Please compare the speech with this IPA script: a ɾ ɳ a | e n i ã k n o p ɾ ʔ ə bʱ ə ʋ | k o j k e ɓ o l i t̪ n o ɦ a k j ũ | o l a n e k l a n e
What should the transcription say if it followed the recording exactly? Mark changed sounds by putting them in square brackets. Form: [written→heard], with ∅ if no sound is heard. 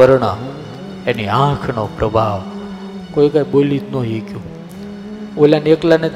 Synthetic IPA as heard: [a→ə] ɾ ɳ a | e n i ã [k→kʰ] n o p ɾ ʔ ə bʱ [ə→a] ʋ | k o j k [e→a] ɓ o l i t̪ n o ɦ [a→i] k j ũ | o l a n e k l a n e